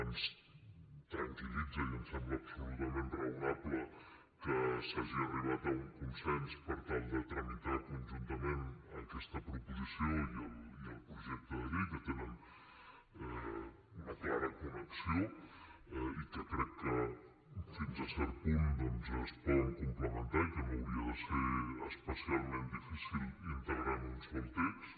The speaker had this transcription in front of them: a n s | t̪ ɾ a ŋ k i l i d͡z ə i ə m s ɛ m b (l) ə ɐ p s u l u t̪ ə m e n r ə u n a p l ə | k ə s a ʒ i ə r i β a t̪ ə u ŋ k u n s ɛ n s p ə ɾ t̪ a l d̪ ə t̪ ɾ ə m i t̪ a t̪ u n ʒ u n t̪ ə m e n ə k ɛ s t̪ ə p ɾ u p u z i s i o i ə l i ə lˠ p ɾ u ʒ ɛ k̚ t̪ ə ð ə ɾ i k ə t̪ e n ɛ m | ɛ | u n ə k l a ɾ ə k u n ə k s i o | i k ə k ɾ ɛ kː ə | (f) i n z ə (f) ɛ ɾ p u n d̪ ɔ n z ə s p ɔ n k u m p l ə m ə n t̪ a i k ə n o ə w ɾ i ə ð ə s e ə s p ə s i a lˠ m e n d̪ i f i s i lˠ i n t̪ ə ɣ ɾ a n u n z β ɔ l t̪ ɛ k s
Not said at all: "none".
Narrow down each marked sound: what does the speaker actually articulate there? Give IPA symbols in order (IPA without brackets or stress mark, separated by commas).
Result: l, f, s